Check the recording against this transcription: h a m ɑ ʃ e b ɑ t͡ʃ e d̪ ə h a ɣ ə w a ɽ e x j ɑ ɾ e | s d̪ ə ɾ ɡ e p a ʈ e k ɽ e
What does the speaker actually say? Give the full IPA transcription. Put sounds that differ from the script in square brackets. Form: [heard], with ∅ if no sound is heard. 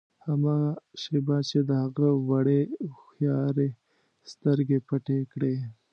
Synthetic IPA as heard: h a m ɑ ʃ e b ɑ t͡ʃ e d̪ ə h a ɣ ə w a ɽ e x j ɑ ɾ e | s [t̪] ə ɾ ɡ e p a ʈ e k ɽ e